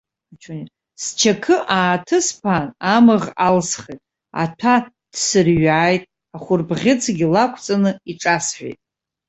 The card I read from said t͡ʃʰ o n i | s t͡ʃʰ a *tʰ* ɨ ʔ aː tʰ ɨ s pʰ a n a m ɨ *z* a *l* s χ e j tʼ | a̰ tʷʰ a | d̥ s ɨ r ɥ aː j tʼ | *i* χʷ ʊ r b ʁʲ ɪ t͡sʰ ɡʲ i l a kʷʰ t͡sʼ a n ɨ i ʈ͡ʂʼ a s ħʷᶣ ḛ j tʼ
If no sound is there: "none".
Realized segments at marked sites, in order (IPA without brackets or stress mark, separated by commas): kʰ, ʁ, l, a